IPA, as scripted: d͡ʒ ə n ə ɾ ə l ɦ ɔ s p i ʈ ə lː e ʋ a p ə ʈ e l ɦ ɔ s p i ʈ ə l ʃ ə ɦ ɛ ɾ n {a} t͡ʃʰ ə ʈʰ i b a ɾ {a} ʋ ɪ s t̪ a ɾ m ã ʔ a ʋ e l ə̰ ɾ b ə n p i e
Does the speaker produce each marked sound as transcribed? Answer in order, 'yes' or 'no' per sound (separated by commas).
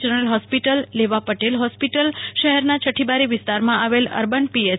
yes, no